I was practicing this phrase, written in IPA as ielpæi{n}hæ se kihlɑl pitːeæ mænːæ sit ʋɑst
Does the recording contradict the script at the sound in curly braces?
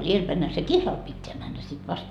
no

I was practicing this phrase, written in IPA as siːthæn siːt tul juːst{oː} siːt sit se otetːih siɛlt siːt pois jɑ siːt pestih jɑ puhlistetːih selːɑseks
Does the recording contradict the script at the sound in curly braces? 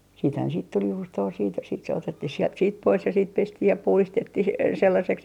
no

